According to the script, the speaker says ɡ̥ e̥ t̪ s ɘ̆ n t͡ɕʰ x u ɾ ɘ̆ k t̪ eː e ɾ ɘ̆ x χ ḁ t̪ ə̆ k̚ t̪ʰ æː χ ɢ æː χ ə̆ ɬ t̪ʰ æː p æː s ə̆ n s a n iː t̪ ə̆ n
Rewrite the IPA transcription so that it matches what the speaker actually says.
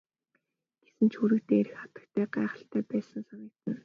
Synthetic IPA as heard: ɡ̥ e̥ s ɘ̆ n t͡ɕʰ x u ɾ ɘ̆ k t̪ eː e ɾ ɘ̆ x χ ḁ t̪ ə̆ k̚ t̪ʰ æː ɢ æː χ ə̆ ɬ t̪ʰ æː p æː s ə̆ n s a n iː t̪ ə̆ n